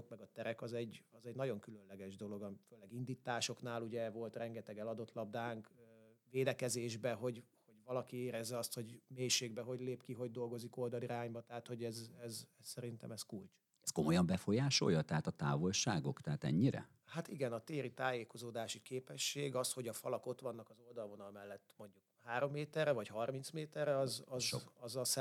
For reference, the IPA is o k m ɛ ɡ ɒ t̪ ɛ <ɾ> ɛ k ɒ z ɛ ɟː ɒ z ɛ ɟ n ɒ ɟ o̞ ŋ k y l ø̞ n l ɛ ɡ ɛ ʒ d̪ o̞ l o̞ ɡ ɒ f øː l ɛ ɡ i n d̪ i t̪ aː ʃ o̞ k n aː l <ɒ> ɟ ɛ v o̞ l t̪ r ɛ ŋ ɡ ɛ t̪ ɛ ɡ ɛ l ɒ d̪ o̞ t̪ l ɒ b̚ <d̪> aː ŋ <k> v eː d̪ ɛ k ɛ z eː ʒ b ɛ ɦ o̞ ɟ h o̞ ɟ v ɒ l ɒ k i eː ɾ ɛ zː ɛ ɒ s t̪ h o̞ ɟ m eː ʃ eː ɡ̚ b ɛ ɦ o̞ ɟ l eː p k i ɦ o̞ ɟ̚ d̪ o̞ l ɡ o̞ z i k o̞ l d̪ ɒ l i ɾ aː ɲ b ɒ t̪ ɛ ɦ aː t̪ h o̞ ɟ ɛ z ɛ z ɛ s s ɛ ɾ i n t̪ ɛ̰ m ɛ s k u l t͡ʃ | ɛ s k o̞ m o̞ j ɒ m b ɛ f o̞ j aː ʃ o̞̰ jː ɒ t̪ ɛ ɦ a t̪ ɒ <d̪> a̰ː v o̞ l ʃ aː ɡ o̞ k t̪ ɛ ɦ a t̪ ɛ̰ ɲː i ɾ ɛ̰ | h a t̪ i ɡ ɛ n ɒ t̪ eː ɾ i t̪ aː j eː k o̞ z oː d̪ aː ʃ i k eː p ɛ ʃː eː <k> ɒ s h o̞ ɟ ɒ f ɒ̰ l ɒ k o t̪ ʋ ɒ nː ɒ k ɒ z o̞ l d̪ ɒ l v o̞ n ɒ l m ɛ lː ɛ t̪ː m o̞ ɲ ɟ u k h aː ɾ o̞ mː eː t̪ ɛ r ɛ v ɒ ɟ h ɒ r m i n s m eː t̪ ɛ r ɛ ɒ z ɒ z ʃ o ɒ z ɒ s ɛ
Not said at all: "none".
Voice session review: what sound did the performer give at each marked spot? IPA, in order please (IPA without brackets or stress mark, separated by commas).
ɾ, u, d̪, k, t̪, ɡ